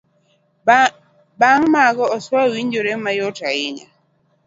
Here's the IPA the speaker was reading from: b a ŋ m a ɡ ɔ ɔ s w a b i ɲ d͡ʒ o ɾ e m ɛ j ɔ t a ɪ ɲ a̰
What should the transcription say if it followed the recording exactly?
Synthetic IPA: b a ŋ m a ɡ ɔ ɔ s w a w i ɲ d͡ʒ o ɾ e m a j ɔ t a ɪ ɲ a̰